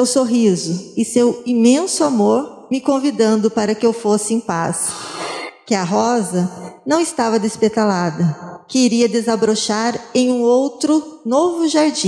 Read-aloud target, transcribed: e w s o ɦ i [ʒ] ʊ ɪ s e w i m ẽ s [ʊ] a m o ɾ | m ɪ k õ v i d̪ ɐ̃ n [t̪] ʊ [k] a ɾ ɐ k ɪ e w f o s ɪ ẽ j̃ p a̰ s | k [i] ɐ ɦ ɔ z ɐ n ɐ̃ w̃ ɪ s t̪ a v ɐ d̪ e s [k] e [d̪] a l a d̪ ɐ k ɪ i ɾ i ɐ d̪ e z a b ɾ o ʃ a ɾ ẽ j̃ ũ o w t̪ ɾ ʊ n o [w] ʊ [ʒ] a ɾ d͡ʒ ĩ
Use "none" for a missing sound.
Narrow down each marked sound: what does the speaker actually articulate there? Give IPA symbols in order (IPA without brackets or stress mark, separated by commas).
z, ʊ, d̪, p, ɪ, p, t̪, v, ʒ